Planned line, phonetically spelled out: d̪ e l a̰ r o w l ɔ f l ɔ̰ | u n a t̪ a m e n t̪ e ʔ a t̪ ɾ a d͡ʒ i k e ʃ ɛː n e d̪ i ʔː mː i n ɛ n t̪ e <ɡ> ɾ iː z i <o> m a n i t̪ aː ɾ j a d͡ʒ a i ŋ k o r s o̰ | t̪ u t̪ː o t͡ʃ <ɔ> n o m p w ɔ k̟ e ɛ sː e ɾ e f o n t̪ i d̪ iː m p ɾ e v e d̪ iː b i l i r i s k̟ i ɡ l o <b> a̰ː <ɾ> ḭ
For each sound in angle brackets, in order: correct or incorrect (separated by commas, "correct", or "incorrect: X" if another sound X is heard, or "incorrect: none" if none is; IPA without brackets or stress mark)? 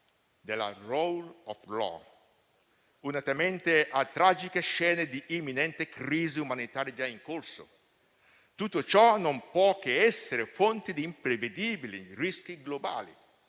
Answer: incorrect: k, incorrect: u, correct, correct, incorrect: l